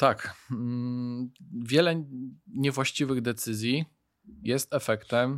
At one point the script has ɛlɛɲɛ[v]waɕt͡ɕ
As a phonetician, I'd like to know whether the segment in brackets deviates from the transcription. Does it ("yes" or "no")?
no